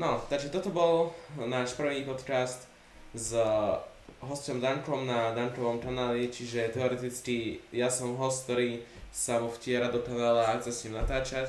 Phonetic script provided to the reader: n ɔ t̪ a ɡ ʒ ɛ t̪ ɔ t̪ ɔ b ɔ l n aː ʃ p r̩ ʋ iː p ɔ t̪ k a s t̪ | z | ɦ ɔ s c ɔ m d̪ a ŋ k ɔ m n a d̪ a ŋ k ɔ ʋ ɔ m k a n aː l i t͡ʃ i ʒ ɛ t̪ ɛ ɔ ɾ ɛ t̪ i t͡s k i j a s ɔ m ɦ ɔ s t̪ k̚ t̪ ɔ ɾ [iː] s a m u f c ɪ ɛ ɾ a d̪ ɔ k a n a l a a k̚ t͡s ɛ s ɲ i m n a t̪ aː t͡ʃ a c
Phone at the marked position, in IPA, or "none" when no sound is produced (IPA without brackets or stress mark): iː